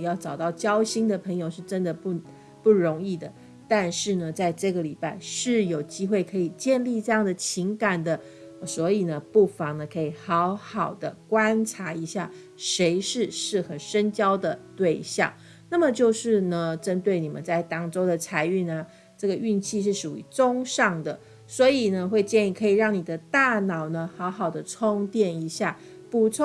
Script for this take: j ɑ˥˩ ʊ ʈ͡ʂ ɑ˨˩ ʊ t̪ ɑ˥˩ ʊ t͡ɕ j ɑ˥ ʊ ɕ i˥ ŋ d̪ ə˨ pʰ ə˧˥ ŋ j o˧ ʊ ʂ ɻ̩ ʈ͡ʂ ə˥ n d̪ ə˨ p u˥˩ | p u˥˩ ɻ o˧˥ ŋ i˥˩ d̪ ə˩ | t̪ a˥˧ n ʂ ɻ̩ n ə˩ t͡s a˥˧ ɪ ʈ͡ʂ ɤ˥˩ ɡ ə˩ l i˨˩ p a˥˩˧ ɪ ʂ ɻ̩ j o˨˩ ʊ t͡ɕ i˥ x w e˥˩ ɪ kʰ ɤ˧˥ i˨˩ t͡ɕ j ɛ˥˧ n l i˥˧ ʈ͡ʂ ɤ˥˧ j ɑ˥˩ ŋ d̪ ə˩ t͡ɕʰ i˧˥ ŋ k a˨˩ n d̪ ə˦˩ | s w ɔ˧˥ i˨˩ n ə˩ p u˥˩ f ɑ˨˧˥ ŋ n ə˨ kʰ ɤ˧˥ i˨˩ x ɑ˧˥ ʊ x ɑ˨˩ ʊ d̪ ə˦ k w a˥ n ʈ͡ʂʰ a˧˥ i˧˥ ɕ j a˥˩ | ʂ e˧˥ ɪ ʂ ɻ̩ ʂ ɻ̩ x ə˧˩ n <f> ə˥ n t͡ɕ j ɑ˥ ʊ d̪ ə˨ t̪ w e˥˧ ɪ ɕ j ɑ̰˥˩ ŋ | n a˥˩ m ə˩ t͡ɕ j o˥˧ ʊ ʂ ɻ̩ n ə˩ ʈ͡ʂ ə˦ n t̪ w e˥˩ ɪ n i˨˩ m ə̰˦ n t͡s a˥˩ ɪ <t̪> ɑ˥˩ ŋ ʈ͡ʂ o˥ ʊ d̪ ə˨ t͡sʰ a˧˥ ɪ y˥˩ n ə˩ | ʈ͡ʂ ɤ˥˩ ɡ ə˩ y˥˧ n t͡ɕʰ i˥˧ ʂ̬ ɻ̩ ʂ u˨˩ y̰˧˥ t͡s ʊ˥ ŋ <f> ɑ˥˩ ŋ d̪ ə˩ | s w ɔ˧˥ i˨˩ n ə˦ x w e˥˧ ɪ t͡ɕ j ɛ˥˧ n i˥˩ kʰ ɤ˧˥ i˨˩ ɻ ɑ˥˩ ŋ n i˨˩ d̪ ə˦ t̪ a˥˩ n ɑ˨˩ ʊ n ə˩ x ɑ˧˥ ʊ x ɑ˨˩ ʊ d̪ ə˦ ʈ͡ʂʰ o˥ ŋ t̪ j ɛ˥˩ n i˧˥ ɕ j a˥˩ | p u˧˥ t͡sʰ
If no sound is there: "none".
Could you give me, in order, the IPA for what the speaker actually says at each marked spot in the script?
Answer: ʂ, t̪, ʂ

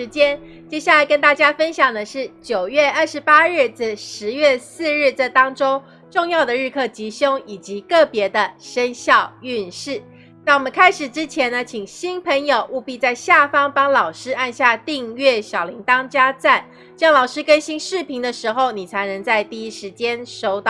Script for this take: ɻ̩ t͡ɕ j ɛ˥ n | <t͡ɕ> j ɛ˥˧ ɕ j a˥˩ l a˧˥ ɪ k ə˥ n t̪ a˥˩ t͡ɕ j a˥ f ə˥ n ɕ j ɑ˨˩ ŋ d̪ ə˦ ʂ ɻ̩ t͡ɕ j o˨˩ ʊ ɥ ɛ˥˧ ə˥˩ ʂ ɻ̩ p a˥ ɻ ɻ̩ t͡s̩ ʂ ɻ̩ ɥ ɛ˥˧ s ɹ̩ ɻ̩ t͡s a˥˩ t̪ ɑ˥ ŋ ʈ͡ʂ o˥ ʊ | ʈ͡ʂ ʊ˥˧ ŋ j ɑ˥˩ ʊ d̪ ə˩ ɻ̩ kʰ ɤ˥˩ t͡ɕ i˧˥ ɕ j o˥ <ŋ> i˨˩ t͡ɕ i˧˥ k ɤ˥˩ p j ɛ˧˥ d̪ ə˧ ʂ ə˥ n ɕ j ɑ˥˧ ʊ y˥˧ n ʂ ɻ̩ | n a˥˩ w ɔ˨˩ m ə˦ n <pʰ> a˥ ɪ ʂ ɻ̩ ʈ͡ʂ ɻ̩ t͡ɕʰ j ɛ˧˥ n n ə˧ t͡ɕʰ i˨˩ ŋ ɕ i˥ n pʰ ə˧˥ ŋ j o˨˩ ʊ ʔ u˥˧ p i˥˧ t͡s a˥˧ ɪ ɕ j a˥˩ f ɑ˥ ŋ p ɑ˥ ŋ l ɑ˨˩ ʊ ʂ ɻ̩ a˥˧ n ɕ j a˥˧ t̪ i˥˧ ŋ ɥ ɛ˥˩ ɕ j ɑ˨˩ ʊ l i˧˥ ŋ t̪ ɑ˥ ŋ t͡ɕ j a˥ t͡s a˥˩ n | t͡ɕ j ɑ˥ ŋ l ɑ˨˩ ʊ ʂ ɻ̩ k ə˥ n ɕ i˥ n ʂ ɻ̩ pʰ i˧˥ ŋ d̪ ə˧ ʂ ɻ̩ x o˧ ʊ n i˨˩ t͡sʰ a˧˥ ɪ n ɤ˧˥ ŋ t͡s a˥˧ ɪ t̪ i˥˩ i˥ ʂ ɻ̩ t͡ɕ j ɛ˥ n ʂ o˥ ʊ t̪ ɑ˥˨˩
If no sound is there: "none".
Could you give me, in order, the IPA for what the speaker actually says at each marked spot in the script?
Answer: t͡ɕ, ŋ, kʰ

